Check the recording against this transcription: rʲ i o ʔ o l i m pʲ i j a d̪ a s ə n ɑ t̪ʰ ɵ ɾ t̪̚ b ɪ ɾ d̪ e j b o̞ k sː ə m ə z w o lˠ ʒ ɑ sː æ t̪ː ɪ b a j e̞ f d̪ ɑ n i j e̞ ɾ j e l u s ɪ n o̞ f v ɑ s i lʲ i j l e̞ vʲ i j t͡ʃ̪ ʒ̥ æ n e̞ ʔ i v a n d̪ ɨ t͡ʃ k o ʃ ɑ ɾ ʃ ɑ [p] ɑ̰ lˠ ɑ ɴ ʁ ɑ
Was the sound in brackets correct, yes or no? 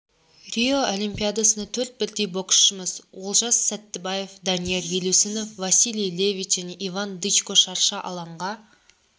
no